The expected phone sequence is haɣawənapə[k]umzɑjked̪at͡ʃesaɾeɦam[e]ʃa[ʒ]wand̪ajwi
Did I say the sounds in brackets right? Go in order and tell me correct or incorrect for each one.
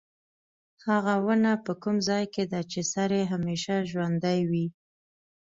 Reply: correct, correct, correct

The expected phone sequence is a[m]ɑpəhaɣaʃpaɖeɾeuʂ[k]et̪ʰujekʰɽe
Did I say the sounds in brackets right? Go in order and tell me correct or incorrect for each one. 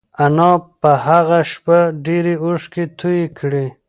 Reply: incorrect, correct

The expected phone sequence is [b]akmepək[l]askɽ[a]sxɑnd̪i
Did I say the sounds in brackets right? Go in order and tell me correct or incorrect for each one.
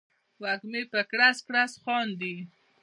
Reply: incorrect, incorrect, correct

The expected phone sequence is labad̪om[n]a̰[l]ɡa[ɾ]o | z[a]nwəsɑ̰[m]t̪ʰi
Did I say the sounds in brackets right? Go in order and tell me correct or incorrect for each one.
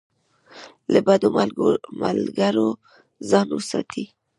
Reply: incorrect, correct, correct, incorrect, incorrect

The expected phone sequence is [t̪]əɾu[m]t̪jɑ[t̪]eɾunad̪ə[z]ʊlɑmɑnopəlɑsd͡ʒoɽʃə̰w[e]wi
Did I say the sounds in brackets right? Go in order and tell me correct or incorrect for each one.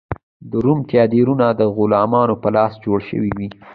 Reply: incorrect, correct, incorrect, incorrect, incorrect

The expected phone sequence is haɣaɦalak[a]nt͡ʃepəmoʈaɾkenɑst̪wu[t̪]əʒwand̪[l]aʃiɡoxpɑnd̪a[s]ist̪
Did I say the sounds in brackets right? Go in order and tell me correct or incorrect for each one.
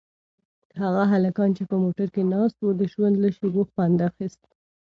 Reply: incorrect, incorrect, correct, incorrect

